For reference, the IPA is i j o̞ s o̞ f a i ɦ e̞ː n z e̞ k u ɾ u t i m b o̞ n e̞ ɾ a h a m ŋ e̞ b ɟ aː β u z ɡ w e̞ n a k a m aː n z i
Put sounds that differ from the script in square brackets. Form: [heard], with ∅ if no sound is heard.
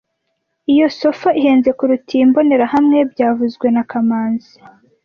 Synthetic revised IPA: i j o̞ s o̞ f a i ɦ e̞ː n z e̞ k u ɾ u t i m b o̞ n e̞ ɾ a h a m ŋ e̞ b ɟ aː [v] u z ɡ w e̞ n a k a m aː n z i